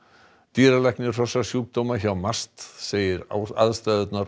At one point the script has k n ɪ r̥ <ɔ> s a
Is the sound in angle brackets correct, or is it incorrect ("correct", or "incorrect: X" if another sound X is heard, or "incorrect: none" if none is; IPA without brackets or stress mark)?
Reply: correct